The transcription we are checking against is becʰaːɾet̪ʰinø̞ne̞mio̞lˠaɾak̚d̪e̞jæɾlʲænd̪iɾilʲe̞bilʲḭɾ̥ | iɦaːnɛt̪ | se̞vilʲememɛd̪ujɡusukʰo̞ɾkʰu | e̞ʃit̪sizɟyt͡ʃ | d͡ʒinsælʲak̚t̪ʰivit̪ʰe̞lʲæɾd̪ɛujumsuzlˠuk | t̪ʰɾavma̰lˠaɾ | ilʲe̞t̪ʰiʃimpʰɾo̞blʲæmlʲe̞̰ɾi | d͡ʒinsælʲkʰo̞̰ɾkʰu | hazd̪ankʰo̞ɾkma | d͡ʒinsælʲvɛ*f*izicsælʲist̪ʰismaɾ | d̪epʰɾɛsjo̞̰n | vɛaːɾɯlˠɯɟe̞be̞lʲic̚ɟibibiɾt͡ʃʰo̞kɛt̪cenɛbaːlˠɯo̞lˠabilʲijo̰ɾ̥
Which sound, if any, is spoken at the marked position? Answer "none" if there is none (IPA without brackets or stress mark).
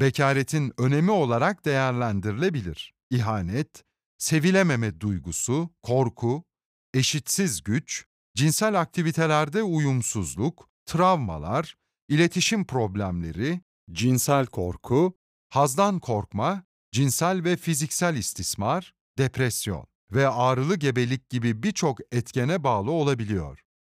f